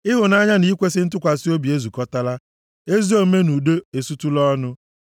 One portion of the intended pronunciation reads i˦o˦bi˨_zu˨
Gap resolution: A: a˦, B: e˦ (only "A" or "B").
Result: B